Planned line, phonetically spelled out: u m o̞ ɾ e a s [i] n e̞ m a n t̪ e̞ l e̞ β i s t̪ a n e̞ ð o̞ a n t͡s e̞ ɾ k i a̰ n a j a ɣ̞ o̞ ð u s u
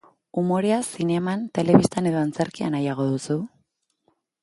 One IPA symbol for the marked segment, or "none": i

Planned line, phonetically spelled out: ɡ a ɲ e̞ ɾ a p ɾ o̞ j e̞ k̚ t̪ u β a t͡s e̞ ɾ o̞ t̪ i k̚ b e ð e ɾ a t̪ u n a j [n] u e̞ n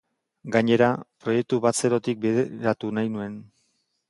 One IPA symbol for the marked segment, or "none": n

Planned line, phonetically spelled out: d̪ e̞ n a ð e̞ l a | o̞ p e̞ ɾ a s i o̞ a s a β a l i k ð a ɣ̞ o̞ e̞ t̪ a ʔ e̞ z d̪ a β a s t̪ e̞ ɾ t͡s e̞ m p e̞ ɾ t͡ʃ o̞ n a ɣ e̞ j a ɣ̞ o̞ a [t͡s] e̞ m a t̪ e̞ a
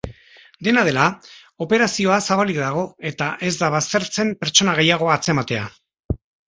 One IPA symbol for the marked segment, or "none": t͡s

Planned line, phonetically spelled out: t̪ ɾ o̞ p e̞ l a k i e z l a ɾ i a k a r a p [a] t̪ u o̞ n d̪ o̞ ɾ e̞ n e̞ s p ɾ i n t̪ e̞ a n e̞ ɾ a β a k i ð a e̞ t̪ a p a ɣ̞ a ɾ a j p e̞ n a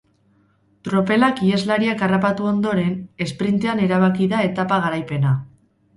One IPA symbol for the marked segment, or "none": a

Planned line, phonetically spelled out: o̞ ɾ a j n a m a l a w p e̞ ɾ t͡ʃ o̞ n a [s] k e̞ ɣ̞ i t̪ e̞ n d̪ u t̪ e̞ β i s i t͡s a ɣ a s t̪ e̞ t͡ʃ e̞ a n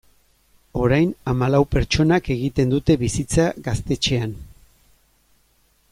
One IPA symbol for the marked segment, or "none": none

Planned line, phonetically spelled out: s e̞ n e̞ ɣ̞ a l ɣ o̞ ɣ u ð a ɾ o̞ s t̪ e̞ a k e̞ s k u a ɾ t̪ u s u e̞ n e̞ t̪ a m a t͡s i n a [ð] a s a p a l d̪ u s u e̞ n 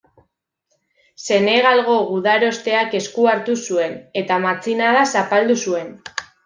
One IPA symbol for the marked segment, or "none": ð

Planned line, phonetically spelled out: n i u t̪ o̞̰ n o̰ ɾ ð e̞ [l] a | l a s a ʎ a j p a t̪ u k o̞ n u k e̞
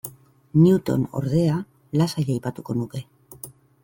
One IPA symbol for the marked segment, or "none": none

